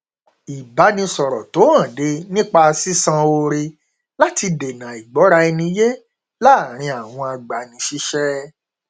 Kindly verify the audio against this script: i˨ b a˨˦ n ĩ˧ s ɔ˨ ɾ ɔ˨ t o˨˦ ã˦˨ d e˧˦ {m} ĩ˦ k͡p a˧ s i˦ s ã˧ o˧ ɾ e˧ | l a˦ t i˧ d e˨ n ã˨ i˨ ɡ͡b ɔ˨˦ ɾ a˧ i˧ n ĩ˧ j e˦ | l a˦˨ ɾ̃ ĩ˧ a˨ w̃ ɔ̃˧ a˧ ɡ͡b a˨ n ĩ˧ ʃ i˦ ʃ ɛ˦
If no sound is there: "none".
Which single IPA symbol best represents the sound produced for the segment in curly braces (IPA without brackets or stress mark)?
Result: n